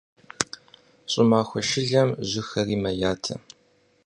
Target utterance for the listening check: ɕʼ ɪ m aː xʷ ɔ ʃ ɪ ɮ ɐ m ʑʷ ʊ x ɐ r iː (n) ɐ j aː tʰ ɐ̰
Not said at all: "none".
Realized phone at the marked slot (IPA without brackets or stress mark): m